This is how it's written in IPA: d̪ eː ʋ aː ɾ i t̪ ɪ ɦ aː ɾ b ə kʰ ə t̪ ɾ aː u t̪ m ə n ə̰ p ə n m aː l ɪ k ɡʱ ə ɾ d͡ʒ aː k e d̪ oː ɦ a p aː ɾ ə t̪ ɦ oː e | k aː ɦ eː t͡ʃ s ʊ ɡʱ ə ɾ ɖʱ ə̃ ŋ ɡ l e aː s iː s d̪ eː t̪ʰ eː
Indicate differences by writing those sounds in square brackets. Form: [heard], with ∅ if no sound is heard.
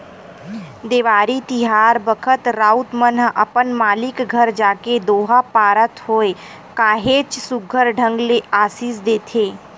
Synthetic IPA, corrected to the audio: d̪ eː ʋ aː ɾ i t̪ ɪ ɦ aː ɾ b ə kʰ ə t̪ ɾ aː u t̪ m ə n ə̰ p ə n m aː l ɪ k ɡʱ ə ɾ d͡ʒ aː k e d̪ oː ɦ a p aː ɾ ə t̪ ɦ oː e | k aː ɦ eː t͡ʃ s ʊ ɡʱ ə ɾ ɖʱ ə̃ ŋ ɡ l e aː s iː s d̪ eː t̪ʰ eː